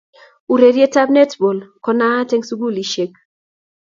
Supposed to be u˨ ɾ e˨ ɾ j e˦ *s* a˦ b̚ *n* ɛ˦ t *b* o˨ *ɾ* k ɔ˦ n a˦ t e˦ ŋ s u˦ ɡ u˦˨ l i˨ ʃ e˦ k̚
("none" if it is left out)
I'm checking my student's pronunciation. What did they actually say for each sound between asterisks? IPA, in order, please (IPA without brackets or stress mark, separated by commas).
t, n, b, l